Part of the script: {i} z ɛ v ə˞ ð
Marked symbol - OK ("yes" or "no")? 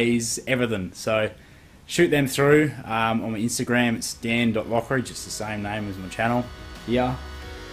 no